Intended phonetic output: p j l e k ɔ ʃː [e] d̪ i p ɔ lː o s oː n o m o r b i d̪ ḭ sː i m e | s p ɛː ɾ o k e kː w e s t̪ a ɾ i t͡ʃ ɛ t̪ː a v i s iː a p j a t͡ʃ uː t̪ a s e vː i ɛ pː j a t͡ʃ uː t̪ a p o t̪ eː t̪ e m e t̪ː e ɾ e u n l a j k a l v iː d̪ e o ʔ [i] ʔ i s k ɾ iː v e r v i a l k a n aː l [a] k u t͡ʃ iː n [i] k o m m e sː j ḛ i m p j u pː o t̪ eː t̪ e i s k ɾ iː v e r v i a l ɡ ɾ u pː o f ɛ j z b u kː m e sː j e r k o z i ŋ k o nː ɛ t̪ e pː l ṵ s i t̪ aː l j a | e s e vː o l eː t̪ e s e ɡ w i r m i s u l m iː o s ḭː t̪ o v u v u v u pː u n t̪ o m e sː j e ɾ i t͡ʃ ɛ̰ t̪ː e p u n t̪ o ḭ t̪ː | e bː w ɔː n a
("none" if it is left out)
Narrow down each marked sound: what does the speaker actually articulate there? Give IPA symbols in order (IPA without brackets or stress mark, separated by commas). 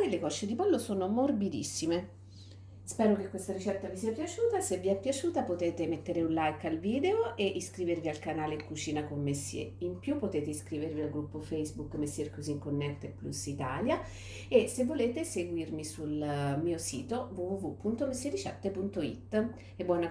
e, e, e, a